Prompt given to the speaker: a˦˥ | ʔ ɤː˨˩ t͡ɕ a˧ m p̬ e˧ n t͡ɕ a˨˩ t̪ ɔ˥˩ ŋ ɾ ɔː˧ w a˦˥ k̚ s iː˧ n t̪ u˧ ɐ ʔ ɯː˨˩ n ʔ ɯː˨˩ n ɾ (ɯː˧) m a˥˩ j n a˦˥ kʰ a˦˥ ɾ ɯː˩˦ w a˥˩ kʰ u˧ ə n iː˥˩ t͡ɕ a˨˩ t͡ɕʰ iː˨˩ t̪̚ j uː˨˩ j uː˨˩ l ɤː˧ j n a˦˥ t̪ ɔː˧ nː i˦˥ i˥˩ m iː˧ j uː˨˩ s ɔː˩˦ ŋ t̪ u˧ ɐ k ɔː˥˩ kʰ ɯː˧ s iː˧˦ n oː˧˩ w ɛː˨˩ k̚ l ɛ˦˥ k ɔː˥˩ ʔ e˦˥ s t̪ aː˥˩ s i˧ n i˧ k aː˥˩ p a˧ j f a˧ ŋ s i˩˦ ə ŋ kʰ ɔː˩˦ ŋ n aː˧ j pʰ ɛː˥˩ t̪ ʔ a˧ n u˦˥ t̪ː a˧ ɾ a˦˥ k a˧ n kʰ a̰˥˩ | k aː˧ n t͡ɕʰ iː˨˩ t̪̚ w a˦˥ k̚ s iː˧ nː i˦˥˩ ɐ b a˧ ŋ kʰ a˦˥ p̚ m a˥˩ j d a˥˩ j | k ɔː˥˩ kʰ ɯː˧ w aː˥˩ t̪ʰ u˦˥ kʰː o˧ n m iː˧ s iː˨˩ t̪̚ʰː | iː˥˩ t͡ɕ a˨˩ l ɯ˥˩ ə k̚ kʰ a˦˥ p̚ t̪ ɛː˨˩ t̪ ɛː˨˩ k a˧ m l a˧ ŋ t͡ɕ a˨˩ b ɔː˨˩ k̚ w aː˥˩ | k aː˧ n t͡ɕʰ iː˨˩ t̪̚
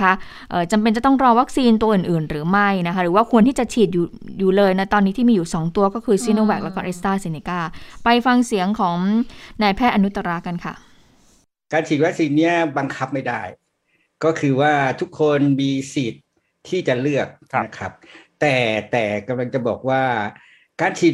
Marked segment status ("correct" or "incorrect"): incorrect